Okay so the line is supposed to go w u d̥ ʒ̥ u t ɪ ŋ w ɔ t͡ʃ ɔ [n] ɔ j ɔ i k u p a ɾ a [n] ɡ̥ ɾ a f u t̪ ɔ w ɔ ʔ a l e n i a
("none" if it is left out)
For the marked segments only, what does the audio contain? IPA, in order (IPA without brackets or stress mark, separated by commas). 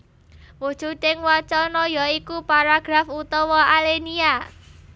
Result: n, none